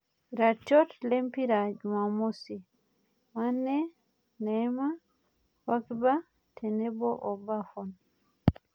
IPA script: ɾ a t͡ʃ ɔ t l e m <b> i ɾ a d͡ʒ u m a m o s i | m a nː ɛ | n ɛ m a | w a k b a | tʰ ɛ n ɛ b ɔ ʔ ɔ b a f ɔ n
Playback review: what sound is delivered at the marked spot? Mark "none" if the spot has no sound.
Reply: p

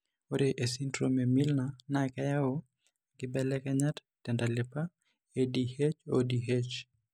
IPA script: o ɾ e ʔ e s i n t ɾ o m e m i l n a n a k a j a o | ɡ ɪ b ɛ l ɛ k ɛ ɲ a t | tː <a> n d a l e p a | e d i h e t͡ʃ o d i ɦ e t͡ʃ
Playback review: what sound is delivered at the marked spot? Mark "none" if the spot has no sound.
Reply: ɛ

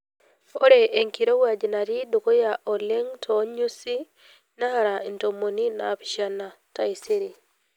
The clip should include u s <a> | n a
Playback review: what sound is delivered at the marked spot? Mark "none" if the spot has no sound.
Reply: i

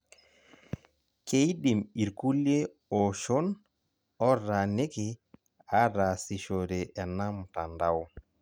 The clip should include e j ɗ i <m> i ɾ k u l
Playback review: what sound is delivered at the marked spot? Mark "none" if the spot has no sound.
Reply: m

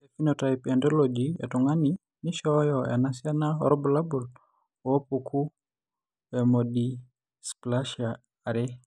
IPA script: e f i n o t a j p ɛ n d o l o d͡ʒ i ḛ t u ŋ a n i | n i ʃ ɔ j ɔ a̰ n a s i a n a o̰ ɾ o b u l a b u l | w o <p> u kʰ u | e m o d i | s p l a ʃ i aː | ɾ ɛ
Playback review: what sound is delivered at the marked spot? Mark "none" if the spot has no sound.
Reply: p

